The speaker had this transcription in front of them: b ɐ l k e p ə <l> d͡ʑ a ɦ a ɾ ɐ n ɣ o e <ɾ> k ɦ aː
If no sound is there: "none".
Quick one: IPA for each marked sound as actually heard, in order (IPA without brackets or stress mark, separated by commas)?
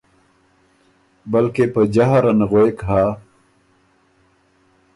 none, none